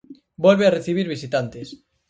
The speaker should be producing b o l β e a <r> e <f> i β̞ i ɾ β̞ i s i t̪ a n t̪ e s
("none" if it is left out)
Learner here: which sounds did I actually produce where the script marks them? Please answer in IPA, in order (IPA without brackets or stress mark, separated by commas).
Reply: r, θ